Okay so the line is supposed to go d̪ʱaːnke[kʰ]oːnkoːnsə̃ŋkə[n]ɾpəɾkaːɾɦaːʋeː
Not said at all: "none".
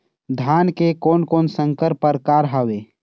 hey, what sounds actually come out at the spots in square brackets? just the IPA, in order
k, none

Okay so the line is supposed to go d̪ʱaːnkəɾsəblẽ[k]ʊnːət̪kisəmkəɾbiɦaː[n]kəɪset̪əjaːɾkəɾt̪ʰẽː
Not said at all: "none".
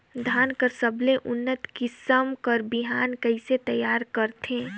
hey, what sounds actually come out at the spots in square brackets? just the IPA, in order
ʔ, n

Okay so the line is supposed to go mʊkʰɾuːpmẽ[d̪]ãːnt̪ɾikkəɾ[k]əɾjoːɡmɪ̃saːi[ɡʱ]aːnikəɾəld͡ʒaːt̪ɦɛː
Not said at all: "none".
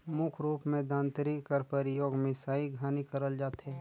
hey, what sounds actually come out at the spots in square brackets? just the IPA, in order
d̪, p, ɡʱ

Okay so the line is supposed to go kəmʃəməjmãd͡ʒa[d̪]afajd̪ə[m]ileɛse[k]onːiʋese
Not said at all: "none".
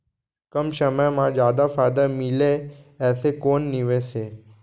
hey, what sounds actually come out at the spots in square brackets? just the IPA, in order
d̪, m, k

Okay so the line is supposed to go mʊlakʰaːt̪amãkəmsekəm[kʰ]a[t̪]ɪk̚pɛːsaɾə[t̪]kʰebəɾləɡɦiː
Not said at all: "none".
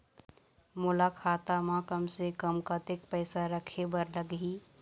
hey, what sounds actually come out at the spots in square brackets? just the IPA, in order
k, t̪, none

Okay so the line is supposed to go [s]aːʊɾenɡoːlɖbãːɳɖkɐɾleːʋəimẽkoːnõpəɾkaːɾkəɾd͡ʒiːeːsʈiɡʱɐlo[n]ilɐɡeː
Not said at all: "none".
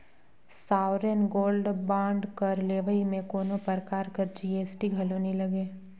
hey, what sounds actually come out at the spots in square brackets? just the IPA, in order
s, n

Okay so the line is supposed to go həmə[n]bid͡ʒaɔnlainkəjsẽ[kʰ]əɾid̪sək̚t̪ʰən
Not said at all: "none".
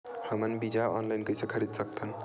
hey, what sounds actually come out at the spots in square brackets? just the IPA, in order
n, kʰ

